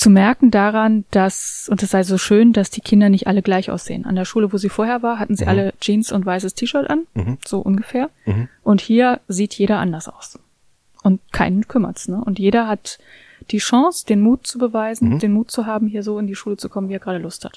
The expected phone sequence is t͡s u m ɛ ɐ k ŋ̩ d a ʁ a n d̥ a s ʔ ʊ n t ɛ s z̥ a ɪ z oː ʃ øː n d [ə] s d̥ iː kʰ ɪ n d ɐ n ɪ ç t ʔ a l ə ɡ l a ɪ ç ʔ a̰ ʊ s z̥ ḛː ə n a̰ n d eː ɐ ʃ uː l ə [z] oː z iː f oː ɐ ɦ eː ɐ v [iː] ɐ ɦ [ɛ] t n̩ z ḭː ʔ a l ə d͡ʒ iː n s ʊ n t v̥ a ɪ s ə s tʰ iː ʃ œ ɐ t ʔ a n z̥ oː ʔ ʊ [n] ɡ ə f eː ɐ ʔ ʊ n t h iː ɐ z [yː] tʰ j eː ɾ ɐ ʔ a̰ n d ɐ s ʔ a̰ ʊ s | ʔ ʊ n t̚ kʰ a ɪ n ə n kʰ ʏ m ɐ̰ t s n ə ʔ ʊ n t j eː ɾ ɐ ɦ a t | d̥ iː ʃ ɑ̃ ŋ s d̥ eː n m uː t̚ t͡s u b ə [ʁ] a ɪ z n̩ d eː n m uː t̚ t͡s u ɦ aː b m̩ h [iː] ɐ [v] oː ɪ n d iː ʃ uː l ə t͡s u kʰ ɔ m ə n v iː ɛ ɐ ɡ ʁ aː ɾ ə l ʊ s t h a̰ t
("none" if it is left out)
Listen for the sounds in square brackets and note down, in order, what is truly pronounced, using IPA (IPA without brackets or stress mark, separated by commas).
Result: a, v, aː, a, n, iː, v, iː, z